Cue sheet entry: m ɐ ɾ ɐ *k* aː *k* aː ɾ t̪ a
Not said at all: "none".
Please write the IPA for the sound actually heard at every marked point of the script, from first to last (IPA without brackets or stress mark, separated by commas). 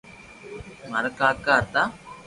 k, k